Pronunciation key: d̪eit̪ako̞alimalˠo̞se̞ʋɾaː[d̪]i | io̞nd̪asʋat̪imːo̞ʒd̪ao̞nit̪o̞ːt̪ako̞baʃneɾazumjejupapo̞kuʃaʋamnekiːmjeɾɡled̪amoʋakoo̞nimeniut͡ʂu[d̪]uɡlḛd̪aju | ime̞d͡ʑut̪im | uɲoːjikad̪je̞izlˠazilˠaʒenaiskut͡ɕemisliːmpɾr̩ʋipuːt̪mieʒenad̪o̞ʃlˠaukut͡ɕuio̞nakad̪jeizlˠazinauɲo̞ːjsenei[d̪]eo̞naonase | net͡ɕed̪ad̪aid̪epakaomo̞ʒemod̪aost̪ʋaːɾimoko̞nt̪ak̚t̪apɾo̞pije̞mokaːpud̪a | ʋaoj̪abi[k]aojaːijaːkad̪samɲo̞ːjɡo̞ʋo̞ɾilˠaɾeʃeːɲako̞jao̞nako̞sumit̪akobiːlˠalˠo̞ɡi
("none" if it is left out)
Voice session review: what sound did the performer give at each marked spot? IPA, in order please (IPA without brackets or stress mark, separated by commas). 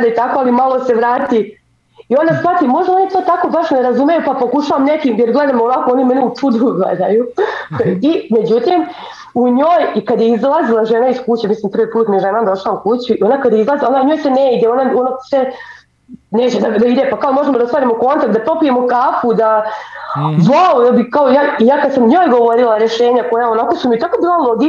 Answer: t̪, d̪, d̪, k